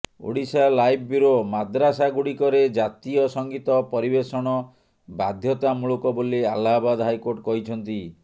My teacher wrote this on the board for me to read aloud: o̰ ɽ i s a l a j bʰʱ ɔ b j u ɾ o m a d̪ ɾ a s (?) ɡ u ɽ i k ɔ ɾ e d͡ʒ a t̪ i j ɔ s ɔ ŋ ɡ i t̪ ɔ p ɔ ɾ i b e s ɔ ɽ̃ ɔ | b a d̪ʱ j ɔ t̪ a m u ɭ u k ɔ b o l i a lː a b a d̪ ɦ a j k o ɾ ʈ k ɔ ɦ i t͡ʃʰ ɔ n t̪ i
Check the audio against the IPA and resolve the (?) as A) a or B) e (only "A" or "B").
A